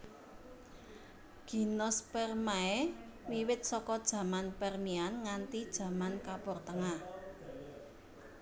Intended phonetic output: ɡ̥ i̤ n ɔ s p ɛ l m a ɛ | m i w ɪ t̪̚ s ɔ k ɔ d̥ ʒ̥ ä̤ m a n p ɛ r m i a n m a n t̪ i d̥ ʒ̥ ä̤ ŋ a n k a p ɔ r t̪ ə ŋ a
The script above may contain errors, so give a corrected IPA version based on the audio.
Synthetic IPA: ɡ̥ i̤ n ɔ s p ɛ r m a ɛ | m i w ɪ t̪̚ s ɔ k ɔ d̥ ʒ̥ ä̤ m a n p ɛ r m i a n ŋ a n t̪ i d̥ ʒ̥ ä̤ m a n k a p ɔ r t̪ ə ŋ a